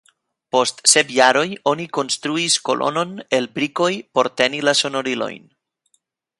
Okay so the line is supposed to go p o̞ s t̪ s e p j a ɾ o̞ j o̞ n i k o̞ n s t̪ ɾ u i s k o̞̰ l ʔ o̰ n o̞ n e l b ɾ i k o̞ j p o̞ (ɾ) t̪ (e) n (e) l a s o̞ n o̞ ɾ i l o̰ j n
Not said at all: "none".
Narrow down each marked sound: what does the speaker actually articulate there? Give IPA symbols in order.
ɾ, e, i

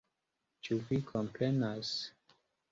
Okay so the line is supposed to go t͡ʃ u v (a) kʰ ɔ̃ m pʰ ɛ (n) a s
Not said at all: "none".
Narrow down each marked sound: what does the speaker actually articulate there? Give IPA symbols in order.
i, n

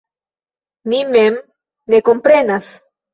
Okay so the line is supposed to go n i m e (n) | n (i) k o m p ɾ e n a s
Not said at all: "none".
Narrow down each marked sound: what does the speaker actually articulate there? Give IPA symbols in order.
m, e

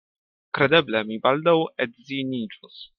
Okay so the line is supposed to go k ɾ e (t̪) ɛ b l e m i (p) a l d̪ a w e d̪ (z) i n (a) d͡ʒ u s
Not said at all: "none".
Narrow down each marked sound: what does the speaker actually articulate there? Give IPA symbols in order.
d̪, b, z, i

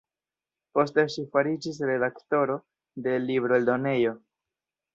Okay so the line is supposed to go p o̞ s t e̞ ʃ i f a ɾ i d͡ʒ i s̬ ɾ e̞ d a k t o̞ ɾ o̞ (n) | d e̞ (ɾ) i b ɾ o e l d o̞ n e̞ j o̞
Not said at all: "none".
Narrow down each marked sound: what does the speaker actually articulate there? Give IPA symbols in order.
none, l

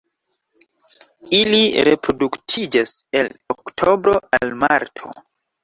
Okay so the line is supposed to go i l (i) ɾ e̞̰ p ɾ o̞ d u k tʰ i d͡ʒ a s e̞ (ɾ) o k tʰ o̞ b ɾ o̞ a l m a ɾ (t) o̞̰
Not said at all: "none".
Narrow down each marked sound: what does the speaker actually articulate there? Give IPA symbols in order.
i, l, tʰ

